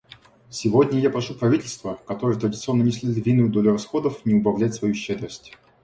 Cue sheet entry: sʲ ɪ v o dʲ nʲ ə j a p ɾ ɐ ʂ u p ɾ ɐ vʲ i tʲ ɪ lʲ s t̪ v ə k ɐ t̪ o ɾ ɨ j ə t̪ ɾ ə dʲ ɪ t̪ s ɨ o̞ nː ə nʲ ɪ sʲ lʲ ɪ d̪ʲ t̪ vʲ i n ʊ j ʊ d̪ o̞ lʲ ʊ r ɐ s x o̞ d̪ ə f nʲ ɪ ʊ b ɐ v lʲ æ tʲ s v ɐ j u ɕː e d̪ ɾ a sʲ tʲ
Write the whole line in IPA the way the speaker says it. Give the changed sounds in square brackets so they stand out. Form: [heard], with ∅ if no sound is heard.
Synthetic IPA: sʲ ɪ v o dʲ nʲ ə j a p ɾ ɐ ʂ u p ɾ ɐ vʲ i tʲ ɪ lʲ s t̪ v ə k ɐ t̪ o ɾ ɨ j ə t̪ ɾ ə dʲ ɪ t̪ s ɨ o̞ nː ə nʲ ɪ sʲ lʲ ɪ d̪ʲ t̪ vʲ i n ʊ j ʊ d̪ o̞ lʲ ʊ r ɐ s x o̞ d̪ ə f nʲ ɪ ʊ b ɐ v lʲ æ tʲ s v ɐ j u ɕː e d̪ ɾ [ə] sʲ tʲ